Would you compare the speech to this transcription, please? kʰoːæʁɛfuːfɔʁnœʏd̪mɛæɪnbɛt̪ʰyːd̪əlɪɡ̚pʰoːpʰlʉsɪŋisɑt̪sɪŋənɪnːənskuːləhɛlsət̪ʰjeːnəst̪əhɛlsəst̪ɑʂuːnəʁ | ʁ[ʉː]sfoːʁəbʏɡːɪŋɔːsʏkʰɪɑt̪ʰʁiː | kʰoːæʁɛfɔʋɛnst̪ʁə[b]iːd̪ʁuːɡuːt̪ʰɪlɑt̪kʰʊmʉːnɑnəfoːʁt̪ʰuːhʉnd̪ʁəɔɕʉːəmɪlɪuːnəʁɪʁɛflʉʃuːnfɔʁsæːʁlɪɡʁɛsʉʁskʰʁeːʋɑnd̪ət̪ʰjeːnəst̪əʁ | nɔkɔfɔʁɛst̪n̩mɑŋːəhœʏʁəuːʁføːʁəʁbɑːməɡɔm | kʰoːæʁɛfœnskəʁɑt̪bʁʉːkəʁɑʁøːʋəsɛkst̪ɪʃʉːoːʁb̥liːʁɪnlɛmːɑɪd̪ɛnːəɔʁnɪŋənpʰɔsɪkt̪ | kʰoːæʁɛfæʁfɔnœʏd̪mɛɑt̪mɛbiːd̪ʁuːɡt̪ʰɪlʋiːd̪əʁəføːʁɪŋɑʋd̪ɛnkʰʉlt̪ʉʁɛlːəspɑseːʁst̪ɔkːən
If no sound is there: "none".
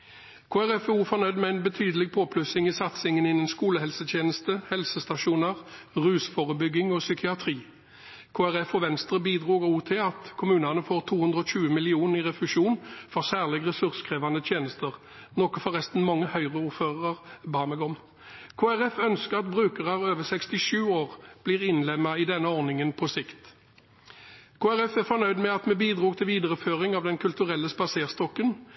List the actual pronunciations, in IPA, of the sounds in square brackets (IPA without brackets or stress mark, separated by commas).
ʉː, b